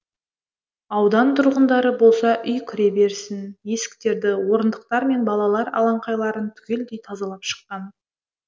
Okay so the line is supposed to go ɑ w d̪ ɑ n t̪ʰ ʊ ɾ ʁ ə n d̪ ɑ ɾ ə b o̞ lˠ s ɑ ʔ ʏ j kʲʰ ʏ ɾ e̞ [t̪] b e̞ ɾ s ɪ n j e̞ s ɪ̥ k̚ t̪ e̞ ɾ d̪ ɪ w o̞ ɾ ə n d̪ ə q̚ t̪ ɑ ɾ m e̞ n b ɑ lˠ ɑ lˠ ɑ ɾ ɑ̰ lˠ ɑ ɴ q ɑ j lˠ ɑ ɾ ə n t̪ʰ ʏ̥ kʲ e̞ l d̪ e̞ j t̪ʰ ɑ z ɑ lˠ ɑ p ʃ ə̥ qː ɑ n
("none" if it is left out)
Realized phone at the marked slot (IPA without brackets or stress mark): none